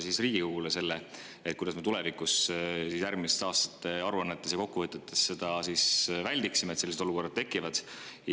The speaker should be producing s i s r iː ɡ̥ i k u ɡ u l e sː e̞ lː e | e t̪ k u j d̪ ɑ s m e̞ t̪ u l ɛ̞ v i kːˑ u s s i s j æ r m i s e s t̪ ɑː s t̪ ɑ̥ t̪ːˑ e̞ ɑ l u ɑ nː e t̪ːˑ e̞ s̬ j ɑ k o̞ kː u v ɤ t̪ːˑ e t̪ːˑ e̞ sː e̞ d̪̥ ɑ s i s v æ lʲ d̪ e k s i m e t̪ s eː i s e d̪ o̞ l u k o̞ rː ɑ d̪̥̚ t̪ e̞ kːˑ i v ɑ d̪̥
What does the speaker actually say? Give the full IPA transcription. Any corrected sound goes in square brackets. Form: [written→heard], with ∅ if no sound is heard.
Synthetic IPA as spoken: s i s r iː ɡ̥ i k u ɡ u l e [sː→s] e̞ lː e | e t̪ k u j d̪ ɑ s m e̞ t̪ u l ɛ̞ v i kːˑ u s s i s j æ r m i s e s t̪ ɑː s t̪ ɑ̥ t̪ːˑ e̞ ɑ [l→ɾ] u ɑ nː e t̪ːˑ e̞ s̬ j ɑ k o̞ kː u v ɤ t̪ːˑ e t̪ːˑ e̞ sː e̞ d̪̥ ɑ s i s v æ lʲ d̪ [e→i] k s i m e t̪ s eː i s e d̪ o̞ l u k o̞ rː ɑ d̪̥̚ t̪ e̞ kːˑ i v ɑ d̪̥